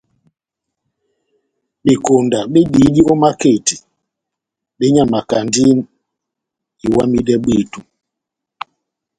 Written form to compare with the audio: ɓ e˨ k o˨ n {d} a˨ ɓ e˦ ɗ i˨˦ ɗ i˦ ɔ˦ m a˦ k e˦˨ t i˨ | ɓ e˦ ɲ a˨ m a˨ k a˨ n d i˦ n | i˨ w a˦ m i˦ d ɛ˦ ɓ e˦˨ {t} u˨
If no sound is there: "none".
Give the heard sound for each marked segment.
d, t

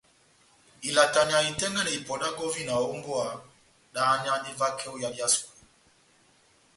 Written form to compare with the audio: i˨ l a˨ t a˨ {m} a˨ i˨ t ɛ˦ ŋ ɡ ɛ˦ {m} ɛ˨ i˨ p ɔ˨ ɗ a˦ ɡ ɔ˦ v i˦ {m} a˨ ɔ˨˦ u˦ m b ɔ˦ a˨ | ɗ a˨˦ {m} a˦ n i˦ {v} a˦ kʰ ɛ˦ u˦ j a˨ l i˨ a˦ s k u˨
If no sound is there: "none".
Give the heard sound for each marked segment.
ɲ, n, n, ɲ, v

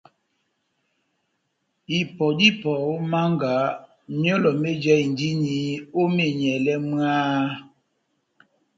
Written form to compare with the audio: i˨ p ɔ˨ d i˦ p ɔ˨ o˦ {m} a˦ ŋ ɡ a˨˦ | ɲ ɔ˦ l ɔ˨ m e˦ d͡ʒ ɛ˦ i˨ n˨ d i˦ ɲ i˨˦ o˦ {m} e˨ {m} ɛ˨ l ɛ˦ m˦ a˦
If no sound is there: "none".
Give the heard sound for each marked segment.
m, m, ɲ

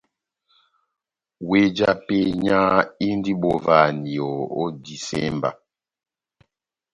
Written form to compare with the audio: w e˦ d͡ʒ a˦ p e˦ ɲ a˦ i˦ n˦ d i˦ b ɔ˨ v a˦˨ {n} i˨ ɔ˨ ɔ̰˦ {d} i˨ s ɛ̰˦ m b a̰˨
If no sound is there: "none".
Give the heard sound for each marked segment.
n, d

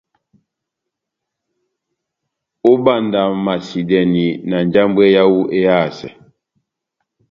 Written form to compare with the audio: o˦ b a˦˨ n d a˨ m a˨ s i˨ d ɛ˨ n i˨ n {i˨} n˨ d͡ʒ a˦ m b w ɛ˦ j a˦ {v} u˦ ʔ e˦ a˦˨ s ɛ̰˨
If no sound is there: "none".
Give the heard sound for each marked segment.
a˨, w

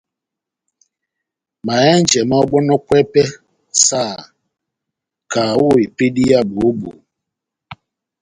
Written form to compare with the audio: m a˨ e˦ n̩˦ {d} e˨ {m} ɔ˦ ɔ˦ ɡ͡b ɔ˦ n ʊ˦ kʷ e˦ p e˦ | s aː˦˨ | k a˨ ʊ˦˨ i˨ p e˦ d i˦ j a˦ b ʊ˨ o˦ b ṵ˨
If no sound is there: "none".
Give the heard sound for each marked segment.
d͡ʒ, m

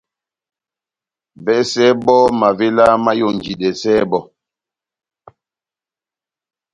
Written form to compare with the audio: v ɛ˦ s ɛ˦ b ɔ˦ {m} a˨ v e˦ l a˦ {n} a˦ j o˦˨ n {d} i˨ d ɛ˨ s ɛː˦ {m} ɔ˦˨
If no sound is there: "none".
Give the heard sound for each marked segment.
m, m, d͡ʒ, b

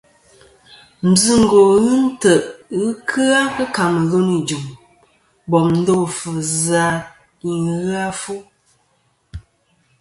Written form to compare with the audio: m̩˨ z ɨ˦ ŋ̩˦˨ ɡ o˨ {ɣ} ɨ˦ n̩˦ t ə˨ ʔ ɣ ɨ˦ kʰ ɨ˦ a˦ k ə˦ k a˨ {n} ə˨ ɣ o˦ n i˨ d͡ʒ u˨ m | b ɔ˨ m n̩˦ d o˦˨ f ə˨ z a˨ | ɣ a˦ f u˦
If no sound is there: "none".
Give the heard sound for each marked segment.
ɣ, m

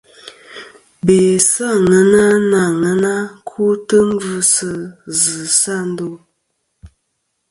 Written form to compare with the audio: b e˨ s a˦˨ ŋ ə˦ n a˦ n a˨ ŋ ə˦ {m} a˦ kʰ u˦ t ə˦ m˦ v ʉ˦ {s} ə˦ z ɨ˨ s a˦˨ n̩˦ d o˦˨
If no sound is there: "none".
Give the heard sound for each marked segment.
n, s

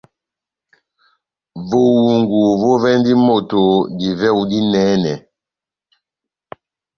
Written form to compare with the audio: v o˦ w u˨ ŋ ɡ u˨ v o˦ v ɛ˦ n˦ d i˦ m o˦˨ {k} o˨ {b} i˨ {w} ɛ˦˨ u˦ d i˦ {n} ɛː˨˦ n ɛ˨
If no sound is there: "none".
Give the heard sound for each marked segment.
t, d, v, n

